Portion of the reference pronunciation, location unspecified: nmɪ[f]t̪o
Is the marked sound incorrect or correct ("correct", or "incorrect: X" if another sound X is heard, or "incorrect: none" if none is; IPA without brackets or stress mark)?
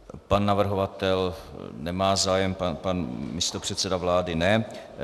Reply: incorrect: s